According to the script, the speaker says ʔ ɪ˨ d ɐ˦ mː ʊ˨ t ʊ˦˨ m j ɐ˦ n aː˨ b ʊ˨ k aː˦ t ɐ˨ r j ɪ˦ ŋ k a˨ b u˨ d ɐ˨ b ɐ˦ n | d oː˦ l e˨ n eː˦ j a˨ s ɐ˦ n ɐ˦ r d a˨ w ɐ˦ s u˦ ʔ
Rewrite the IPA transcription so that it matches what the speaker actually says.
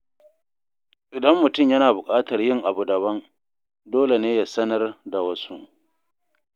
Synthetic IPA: ʔ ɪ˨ d ɐ˦ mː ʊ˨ t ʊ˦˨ m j ɐ˦ n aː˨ b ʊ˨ kʼ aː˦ t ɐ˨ r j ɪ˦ ŋ ʔ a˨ b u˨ d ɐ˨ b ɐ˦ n | d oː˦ l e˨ n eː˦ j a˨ s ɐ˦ n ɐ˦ r d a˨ w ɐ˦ s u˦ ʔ